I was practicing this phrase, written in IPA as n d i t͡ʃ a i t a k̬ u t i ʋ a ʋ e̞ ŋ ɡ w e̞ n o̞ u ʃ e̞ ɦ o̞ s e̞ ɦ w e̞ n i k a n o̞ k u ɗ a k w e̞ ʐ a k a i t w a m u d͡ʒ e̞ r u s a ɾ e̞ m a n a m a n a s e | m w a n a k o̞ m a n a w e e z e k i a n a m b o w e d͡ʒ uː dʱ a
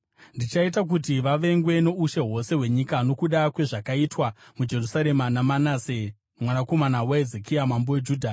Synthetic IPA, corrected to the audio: n d i t͡ʃ a i t a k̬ u t i ʋ a ʋ e̞ ŋ ɡ w e̞ n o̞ u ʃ e̞ ɦ o̞ s e̞ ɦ w e̞ ɲ i k a n o̞ k u ɗ a k w e̞ ʐ a k a i t w a m u d͡ʒ e̞ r u s a ɾ e̞ m a n a m a n a s e | m w a n a k o̞ m a n a w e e z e k i a m a m b o w e d͡ʒ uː dʱ a